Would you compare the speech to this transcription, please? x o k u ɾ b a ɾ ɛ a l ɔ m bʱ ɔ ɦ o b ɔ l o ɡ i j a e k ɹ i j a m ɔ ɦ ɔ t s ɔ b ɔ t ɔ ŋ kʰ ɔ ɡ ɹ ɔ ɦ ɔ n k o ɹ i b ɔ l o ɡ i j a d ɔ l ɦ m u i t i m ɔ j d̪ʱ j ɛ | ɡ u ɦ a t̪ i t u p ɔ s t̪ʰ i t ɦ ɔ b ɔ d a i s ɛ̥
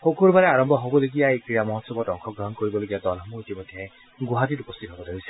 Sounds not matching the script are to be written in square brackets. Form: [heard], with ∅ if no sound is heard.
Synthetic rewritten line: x o k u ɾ b a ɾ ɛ a [ɹ] ɔ m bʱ ɔ ɦ o b ɔ l o ɡ i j a e k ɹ i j a m ɔ ɦ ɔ t s ɔ b ɔ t ɔ ŋ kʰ ɔ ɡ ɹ ɔ ɦ ɔ n k o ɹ i b ɔ l o ɡ i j a d ɔ l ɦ m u i t i m ɔ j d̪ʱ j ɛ | ɡ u ɦ a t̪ i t u p ɔ s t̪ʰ i t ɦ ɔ b ɔ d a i s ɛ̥

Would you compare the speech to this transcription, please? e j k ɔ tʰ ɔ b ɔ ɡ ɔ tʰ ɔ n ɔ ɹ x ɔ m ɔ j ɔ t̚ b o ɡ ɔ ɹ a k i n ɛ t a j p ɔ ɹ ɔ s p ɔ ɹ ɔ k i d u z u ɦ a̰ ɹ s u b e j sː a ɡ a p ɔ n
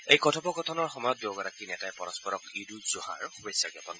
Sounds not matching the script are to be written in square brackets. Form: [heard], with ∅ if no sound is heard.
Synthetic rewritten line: e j k ɔ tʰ ɔ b ɔ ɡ ɔ tʰ ɔ n ɔ ɹ x ɔ m ɔ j ɔ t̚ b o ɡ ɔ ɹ a k i n ɛ t a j p ɔ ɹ ɔ s p ɔ ɹ ɔ k i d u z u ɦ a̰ ɹ [x] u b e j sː a ɡ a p ɔ n

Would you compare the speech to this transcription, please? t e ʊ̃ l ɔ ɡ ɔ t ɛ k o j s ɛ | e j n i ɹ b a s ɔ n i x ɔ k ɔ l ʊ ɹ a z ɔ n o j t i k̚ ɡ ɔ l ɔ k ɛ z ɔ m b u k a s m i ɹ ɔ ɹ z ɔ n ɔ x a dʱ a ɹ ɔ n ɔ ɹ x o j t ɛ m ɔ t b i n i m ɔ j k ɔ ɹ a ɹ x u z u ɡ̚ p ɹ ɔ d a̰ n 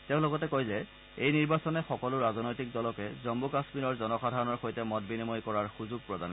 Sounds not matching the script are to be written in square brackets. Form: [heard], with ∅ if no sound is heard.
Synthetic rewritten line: t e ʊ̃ l ɔ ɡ ɔ t ɛ k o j [z] ɛ | e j n i ɹ b a s ɔ n [ɛ] x ɔ k ɔ l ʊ ɹ a z ɔ n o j t i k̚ [d] ɔ l ɔ k ɛ z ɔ m b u k a s m i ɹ ɔ ɹ z ɔ n ɔ x a dʱ a ɹ ɔ n ɔ ɹ x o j t ɛ m ɔ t b i n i m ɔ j k ɔ ɹ a ɹ x u z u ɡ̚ p ɹ ɔ d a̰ n

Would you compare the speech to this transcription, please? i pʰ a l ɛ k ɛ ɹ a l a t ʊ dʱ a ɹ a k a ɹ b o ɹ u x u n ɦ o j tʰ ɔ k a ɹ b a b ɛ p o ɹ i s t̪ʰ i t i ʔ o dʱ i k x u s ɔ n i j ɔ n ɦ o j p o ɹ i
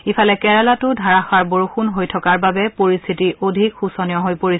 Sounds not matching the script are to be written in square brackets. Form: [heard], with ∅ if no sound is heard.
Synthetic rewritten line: i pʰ a l ɛ k ɛ ɹ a l a t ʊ dʱ a ɹ a [x] a ɹ b o ɹ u x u n ɦ o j tʰ ɔ k a ɹ b a b ɛ p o ɹ i s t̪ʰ i t i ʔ o dʱ i k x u s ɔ n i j ɔ [∅] ɦ o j p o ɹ i

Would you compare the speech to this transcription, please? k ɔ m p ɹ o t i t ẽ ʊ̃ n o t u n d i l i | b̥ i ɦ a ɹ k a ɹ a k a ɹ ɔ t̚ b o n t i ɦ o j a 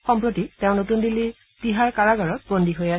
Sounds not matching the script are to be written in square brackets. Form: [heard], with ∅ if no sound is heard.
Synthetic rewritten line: [x] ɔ m p ɹ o t i t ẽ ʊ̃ n o t u n d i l i | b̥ i ɦ a ɹ k a ɹ a [ɡ] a ɹ ɔ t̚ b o n [d] i ɦ o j a

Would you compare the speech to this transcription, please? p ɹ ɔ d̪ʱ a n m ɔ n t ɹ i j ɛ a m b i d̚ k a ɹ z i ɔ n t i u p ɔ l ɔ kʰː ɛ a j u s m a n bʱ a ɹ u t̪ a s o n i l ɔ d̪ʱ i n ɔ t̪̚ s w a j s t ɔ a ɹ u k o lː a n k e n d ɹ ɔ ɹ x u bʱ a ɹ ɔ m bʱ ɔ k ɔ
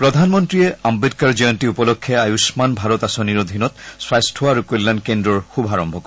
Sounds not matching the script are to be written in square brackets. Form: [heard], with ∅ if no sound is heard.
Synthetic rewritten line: p ɹ ɔ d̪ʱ a n m ɔ n t ɹ i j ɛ a m b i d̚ k a ɹ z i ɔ n t i u p ɔ l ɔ kʰː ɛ a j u s m a n bʱ a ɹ [ɔ] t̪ a s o n i [ɹ] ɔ d̪ʱ i n ɔ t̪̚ s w a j s [tʰ] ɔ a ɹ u k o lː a n k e n d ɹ ɔ ɹ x u bʱ a ɹ ɔ m bʱ ɔ k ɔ

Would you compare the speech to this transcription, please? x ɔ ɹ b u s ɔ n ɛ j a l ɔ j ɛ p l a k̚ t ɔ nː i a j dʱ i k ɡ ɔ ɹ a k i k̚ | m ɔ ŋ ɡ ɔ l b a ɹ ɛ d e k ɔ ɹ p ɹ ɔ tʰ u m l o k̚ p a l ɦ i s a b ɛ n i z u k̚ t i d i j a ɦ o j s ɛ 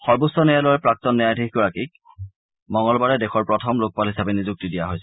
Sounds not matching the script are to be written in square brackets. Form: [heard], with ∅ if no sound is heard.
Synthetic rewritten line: x ɔ ɹ b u s ɔ n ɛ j a l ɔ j ɛ p [ɹ] a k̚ t ɔ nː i a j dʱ i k ɡ ɔ ɹ a k i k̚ | m ɔ ŋ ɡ ɔ l b a ɹ ɛ d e [x] ɔ ɹ p ɹ ɔ tʰ [ɔ] m l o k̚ p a l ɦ i s a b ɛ n i z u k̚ t i d i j a ɦ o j s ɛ

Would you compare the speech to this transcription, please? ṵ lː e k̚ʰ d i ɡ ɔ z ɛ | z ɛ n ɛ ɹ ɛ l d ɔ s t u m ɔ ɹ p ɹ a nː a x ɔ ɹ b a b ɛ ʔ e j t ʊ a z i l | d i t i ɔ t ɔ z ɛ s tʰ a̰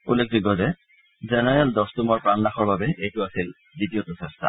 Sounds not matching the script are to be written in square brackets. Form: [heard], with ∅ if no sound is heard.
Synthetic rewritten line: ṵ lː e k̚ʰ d i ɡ ɔ z ɛ | z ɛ n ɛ ɹ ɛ l d ɔ s t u m ɔ ɹ p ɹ a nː a x ɔ ɹ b a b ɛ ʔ e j t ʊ a [s] i l | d i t i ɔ t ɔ [s] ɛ s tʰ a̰

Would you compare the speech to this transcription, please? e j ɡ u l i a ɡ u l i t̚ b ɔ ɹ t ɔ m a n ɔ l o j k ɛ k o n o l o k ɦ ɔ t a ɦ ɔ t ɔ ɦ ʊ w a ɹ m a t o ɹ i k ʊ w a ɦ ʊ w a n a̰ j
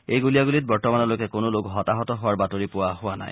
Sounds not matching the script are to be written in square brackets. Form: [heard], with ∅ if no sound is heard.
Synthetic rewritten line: e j ɡ u l i a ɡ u l i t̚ b ɔ ɹ t ɔ m a n ɔ l o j k ɛ k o n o l o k ɦ ɔ t a ɦ ɔ t ɔ ɦ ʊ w a ɹ [b] a t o ɹ i [p] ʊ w a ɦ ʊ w a n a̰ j

